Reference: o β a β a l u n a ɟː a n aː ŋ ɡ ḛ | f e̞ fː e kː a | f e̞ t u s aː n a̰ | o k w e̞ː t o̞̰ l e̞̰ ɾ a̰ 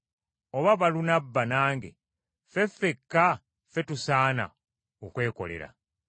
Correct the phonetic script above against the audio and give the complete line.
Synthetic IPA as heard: o β a β a l u n a bː a n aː ŋ ɡ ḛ | f e̞ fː e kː a | f e̞ t u s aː n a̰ | o k w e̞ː k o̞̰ l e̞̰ ɾ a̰

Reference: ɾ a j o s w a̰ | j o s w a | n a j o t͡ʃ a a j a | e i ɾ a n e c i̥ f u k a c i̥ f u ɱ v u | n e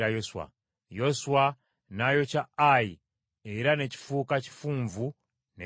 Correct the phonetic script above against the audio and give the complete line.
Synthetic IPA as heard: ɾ a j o s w a̰ | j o s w a | n a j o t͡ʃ a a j i | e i ɾ a n e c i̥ f u k a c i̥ f u ɱ v u | n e

